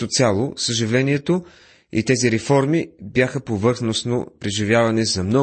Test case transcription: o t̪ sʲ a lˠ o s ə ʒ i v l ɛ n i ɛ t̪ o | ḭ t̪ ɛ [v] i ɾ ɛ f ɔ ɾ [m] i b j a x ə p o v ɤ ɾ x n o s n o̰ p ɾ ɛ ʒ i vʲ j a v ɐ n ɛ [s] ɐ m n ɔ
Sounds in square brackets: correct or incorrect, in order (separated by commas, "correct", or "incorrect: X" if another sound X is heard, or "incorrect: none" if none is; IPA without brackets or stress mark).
incorrect: z, correct, incorrect: z